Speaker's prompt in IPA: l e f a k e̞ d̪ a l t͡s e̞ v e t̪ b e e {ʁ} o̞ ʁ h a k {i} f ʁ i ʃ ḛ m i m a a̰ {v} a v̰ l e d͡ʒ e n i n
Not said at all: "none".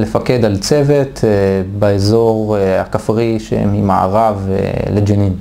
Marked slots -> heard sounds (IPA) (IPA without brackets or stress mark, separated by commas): z, a, ʁ